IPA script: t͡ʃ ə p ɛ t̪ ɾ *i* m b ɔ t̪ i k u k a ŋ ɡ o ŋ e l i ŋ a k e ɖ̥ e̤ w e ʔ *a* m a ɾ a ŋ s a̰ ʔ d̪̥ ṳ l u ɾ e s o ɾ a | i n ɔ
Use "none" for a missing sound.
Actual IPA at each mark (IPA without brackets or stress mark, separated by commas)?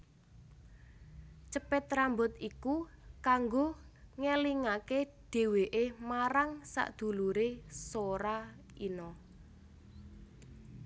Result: a, e